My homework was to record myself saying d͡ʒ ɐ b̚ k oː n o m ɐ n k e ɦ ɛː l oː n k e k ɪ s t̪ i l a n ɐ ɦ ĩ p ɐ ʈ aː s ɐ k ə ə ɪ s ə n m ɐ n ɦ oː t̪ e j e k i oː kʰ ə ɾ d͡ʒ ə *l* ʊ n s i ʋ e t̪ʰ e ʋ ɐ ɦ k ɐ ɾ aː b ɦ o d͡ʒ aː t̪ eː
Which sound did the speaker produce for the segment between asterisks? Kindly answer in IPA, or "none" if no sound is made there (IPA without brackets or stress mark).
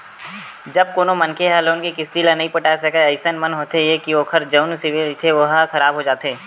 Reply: none